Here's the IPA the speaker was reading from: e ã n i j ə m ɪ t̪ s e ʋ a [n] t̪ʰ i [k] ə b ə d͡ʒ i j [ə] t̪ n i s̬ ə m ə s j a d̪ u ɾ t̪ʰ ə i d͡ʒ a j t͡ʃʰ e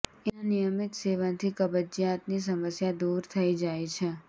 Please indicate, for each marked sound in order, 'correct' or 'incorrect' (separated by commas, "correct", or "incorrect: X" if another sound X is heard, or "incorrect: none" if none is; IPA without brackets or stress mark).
correct, correct, incorrect: a